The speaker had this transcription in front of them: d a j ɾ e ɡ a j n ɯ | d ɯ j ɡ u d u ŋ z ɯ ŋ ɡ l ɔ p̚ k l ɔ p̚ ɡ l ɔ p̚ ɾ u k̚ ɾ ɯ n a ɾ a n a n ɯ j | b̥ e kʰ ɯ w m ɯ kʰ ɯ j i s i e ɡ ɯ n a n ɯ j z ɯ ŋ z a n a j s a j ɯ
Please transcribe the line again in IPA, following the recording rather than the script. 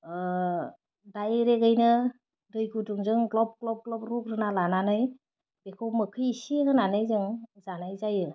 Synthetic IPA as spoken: d a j ɾ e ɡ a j n ɯ | d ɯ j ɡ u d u ŋ z ɯ ŋ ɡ l ɔ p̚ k l ɔ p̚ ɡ l ɔ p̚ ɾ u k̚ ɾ ɯ n a l a n a n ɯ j | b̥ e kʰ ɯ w m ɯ kʰ ɯ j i s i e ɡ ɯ n a n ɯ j z ɯ ŋ z a n a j z a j ɯ